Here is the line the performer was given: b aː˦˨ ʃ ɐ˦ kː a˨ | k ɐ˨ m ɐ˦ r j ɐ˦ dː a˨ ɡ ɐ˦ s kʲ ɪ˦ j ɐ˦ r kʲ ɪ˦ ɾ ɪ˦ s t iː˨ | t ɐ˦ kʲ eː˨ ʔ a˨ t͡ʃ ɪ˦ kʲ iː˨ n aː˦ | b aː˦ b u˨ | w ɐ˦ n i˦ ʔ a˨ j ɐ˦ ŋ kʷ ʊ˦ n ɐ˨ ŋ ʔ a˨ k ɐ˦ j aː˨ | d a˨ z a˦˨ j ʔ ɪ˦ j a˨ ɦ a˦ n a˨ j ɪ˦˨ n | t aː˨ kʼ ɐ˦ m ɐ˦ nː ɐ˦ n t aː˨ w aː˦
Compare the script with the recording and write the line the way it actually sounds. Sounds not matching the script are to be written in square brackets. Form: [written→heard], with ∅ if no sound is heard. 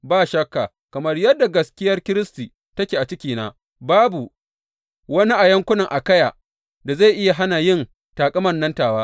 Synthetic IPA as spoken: b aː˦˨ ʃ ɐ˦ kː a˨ | k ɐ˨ m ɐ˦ r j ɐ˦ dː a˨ ɡ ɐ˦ s kʲ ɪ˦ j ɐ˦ r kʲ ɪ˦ ɾ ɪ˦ s t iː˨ | t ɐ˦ kʲ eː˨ ʔ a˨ t͡ʃ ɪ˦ kʲ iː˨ n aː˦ | b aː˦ b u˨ | w ɐ˦ n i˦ ʔ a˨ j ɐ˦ ŋ kʷ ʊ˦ n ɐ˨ ŋ ʔ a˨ k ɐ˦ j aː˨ | d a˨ z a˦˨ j ʔ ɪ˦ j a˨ ɦ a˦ n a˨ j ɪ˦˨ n | t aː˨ kʼ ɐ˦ m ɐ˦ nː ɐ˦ n t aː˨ w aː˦